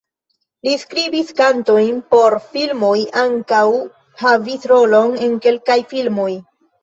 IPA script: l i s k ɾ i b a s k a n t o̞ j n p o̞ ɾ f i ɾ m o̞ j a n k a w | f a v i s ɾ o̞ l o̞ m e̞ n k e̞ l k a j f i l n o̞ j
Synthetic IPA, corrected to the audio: l i s k ɾ i b i s k a n t o̞ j n p o̞ ɾ f i l m o̞ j a ŋ k a w | h a v i s ɾ o̞ l o̞ n e̞ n k e̞ l k a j f i l m o̞ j